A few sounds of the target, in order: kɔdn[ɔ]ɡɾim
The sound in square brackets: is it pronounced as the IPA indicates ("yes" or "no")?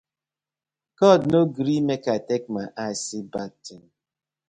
no